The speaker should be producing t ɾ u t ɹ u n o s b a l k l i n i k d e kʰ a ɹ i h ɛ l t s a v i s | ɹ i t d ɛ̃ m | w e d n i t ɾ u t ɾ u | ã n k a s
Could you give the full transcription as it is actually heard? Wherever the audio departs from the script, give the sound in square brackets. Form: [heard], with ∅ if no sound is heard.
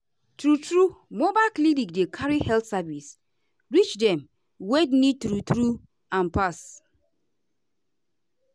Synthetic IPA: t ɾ u t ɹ u [m] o [∅] b a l k l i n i k d e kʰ a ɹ i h ɛ l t s a v i s | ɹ i [t͡ʃ] d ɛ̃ m | w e d n i t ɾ u t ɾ u | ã n [p] a s